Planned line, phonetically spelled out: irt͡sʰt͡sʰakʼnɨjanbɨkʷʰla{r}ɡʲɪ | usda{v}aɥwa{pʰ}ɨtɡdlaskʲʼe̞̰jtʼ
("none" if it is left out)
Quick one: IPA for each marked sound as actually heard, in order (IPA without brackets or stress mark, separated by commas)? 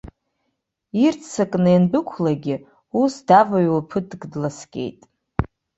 none, v, pʰ